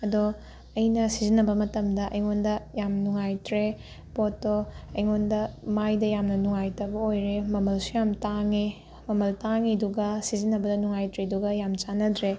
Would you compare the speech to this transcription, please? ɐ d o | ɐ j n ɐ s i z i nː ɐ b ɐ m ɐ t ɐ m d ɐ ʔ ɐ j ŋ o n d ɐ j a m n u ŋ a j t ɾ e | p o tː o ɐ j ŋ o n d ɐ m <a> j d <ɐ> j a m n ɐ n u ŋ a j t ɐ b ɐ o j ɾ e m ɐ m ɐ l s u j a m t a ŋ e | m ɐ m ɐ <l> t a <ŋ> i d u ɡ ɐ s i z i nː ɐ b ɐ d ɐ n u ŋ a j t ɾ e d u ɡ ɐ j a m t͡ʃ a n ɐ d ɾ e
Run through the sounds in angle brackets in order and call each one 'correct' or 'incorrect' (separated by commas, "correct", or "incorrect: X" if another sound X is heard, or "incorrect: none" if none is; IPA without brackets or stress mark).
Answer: correct, correct, correct, correct